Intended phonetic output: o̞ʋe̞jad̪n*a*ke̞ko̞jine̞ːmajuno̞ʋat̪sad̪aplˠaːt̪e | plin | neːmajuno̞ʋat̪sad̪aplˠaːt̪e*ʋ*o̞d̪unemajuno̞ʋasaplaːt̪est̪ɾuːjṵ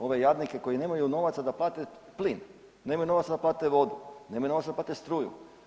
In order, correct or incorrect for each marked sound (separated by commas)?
incorrect, correct